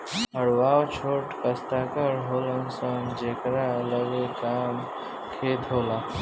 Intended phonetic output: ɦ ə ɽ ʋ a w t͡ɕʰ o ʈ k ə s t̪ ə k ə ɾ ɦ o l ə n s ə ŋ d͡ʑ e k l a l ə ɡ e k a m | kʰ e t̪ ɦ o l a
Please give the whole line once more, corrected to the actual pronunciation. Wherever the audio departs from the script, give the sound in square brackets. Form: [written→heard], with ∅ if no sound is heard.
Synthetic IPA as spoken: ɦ ə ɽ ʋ a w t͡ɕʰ o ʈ k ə s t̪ [ə→a] k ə ɾ ɦ o l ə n s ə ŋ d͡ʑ e k [l→ɾ] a l ə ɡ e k a m | kʰ e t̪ ɦ o l a